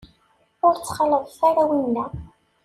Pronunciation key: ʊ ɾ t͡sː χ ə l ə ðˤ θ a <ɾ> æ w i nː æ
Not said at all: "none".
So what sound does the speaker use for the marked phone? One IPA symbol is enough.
ɾ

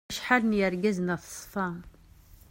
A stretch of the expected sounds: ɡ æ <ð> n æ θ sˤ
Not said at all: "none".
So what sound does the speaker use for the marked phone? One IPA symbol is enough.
z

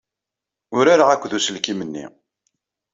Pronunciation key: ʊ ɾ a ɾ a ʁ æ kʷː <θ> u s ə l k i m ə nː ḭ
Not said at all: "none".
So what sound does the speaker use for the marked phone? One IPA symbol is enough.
ð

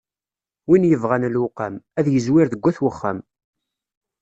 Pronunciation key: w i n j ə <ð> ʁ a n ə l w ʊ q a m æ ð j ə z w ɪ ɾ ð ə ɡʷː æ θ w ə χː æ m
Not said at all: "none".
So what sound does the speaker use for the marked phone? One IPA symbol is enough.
v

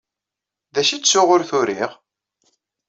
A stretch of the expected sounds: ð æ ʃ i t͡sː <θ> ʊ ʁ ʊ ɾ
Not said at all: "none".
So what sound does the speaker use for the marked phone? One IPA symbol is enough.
s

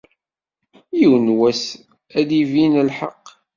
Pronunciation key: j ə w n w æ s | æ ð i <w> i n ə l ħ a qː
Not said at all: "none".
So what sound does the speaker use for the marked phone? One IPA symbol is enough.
v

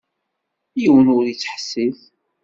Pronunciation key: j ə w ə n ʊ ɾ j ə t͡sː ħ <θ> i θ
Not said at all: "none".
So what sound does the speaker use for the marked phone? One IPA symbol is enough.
s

